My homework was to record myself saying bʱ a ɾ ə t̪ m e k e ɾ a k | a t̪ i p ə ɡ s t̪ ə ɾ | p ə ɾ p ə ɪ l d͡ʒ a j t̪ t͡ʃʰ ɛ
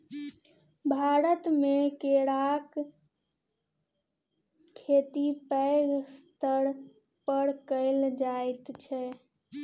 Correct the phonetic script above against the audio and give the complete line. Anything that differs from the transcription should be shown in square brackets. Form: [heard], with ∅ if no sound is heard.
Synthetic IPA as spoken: bʱ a ɾ ə t̪ m e k e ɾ a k | [e] t̪ i p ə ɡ s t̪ ə ɾ | p ə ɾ [k] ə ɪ l d͡ʒ a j t̪ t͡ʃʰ ɛ